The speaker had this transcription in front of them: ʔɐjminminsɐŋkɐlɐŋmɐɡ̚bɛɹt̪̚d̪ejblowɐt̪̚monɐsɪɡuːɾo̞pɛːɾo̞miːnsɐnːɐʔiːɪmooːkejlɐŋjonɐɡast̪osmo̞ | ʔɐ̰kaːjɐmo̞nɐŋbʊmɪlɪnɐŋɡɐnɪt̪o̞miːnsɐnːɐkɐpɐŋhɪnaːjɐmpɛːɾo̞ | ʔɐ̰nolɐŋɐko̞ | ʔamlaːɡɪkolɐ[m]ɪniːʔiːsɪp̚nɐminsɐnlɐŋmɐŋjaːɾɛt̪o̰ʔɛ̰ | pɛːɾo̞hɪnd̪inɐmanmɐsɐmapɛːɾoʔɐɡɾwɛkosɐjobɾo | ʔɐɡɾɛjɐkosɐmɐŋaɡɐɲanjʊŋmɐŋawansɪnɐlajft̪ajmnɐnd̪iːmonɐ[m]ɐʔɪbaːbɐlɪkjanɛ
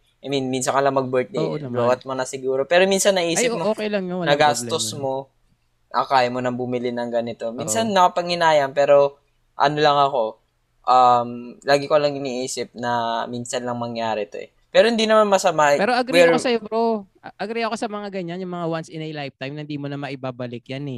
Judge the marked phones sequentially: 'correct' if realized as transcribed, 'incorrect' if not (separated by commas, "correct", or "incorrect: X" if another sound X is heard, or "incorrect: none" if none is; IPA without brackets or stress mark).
incorrect: ŋ, correct